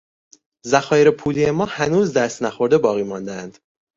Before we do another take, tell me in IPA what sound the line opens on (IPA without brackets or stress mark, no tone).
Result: z